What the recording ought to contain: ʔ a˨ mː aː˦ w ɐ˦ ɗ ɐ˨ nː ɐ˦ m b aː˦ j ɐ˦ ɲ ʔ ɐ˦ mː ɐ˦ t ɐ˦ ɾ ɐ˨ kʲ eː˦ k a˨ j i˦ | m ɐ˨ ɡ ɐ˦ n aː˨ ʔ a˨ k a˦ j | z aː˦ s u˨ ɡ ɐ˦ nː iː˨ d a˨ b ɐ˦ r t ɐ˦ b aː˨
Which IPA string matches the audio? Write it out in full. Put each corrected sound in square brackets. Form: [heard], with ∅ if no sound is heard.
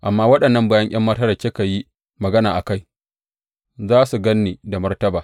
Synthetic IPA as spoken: ʔ a˨ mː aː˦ w ɐ˦ ɗ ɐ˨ nː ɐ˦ m b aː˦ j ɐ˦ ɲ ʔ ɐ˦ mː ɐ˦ t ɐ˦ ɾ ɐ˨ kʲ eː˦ k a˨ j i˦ | m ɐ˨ ɡ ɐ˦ n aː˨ ʔ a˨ k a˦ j | z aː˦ s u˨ ɡ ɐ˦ nː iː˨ d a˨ [m] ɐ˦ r t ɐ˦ b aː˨